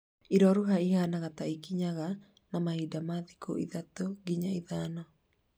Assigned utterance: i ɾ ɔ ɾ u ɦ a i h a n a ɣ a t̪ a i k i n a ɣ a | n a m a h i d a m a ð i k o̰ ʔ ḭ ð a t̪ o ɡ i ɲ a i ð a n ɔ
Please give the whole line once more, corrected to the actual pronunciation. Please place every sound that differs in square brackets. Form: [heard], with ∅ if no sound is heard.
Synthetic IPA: i ɾ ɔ ɾ u ɦ a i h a n a ɣ a t̪ a i k i [ɲ] a ɣ a | n a m a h i d a m a ð i k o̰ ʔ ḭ ð a t̪ o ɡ i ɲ a i ð a n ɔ